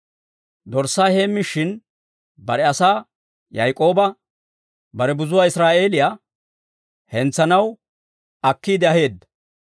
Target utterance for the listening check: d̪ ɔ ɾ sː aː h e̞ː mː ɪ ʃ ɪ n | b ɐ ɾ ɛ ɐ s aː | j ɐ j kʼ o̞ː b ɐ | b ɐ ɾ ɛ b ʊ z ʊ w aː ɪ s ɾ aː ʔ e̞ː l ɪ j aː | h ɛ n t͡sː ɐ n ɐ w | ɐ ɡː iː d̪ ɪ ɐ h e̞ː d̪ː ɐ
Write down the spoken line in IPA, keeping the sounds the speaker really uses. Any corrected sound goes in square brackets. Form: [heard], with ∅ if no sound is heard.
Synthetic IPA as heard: d̪ ɔ ɾ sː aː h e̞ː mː ɪ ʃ ɪ n | b ɐ ɾ ɛ ɐ s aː | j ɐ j kʼ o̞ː b ɐ | b ɐ ɾ ɛ b ʊ z ʊ w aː ɪ s ɾ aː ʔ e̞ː l ɪ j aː | h ɛ n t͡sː ɐ n ɐ w | ɐ [kː] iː d̪ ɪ ɐ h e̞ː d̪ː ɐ